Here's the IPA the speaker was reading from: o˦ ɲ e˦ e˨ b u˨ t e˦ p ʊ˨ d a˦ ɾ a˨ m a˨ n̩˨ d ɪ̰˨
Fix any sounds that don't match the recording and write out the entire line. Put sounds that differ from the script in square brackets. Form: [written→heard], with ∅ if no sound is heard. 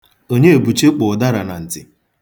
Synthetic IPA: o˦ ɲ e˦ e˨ b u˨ [t→t͡ʃ] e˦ [p→k͡p] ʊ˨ d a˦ ɾ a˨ [m→n] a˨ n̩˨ [d→t] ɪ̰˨